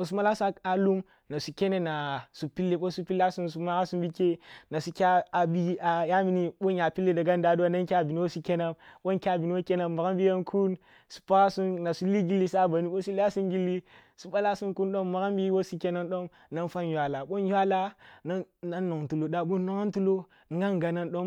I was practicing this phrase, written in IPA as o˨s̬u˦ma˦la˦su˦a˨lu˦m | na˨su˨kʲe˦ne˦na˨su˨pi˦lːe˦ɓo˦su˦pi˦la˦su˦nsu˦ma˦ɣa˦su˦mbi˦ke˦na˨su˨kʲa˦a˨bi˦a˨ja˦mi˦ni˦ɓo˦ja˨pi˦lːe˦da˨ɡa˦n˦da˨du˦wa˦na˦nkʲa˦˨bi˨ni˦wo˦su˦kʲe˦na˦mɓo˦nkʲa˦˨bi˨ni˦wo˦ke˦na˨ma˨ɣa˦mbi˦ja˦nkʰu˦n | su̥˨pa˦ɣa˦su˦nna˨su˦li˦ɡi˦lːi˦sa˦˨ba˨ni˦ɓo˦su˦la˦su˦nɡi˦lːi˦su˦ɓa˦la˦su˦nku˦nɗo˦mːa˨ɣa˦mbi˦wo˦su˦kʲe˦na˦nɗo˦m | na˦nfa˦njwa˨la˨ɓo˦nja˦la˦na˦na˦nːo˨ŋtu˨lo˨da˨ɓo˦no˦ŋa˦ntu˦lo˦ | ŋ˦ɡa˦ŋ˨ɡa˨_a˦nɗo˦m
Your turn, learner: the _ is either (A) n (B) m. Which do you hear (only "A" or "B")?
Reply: A